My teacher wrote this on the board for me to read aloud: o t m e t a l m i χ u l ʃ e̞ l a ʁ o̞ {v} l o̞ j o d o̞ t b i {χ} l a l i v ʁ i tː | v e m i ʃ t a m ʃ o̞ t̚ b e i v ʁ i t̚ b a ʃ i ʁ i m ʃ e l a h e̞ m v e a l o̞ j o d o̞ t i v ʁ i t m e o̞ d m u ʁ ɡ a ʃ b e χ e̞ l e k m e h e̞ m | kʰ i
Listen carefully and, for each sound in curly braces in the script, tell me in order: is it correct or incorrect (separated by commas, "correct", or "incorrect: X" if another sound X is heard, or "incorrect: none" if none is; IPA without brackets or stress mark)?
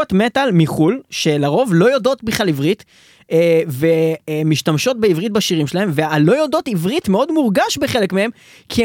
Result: correct, correct